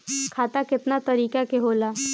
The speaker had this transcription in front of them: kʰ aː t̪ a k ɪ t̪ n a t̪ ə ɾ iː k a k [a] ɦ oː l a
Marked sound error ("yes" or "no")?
yes